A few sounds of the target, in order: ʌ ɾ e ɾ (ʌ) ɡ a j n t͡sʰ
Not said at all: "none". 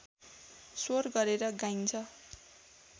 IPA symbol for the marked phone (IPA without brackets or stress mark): ʌ